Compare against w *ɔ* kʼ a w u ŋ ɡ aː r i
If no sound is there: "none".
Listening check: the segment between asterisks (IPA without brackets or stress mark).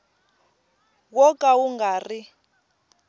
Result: ɔ